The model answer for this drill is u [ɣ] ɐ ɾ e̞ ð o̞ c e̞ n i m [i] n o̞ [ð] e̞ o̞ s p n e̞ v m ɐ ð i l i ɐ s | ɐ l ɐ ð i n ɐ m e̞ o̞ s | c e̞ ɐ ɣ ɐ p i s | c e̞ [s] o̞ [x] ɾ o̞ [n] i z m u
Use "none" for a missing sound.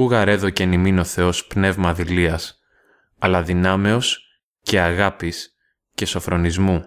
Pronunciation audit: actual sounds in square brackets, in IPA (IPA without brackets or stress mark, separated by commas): ɣ, i, θ, s, f, n